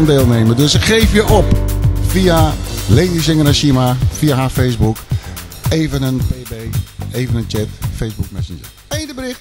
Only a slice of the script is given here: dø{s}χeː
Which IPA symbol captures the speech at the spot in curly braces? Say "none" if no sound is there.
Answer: s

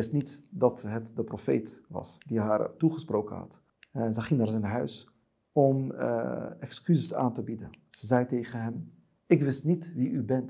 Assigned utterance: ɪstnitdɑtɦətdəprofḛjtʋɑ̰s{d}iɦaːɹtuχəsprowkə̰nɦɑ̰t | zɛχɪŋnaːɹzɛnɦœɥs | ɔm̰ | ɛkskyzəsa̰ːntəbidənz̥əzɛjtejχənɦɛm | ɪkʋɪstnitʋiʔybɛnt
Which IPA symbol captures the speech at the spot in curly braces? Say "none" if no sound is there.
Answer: d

